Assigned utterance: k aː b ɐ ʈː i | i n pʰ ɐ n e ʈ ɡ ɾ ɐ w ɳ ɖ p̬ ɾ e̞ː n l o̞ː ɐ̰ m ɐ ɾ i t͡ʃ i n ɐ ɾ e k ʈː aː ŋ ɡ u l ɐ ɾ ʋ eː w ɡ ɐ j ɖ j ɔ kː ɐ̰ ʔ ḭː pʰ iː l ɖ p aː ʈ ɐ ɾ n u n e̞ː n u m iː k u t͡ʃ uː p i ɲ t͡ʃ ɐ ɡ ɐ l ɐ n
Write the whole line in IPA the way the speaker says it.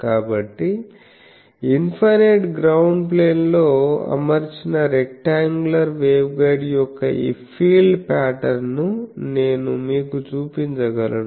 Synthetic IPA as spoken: k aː b ɐ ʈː i | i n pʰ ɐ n e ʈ ɡ ɾ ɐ w ɳ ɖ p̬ l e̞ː n l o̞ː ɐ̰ m ɐ ɾ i t͡ʃ i n ɐ ɾ e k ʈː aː ŋ ɡ u l ɐ ɾ ʋ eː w ɡ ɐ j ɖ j ɔ kː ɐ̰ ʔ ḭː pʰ iː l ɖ p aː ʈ ɐ ɾ n u n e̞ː n u m iː k u t͡ʃ uː p i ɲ t͡ʃ ɐ ɡ ɐ l ɐ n